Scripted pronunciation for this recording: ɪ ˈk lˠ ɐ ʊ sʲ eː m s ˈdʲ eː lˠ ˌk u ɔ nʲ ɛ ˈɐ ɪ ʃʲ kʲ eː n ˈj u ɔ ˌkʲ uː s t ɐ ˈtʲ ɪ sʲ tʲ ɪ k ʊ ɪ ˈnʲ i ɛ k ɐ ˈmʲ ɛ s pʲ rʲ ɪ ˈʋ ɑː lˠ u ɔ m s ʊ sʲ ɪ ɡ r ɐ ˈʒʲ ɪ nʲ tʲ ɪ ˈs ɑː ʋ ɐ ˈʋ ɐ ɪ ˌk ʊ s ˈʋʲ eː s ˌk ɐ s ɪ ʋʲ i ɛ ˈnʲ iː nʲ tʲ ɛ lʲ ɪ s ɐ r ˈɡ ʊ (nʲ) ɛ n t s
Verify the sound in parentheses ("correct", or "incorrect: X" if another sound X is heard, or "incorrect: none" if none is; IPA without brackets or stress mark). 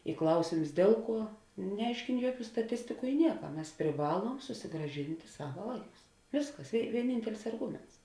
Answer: incorrect: mʲ